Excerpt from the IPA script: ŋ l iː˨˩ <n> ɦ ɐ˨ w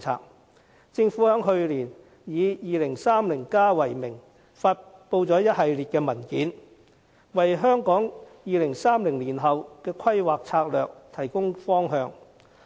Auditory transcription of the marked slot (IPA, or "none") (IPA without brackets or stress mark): n